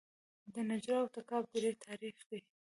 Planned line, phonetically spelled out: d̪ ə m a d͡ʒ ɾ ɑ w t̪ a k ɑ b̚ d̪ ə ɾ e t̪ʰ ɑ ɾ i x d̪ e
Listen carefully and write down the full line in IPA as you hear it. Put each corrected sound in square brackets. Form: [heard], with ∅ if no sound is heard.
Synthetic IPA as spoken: d̪ ə [n] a d͡ʒ ɾ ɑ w t̪ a k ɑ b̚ d̪ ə ɾ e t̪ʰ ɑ ɾ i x d̪ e